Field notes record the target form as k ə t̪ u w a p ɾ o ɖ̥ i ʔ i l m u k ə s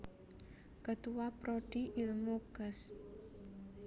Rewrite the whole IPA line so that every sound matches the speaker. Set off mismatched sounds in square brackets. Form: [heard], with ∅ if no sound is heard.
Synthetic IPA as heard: k ə t̪ u w a p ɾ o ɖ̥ i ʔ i l m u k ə s